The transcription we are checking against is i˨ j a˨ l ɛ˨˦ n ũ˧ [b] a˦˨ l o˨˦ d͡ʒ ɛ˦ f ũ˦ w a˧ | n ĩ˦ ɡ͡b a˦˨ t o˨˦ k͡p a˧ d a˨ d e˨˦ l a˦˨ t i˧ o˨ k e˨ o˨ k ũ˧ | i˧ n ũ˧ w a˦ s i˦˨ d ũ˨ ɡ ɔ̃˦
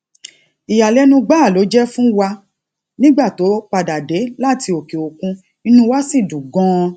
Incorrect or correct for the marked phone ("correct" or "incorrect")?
incorrect